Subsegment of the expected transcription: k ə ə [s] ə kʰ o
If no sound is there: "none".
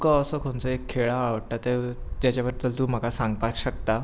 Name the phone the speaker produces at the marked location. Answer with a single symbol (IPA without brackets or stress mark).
s